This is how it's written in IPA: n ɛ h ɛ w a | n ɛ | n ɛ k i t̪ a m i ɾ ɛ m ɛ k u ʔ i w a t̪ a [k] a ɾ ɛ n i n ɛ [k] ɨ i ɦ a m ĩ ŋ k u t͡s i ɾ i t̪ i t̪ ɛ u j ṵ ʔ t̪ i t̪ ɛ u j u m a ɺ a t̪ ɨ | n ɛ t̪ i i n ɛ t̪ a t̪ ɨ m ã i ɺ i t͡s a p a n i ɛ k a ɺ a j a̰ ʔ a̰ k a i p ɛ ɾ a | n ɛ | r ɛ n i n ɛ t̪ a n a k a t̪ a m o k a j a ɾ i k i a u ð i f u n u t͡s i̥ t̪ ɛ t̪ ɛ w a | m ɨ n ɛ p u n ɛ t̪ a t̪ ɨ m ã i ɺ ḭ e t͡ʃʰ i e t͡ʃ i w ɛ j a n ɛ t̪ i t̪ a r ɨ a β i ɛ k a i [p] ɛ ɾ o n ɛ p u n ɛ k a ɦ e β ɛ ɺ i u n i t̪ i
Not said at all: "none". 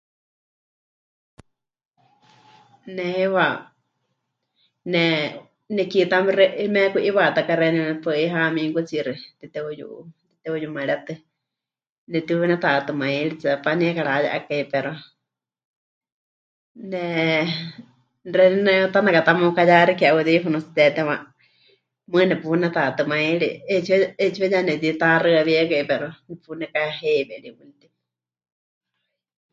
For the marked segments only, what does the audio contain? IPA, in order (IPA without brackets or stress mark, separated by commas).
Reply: k, p, p